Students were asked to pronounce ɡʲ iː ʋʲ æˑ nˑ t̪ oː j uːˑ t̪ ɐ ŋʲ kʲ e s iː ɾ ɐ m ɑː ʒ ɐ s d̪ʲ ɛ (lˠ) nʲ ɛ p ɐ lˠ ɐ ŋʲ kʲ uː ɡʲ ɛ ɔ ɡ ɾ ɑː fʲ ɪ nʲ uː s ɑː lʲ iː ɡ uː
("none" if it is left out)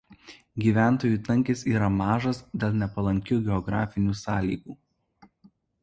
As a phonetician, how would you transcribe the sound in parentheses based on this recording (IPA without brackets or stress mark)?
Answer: lˠ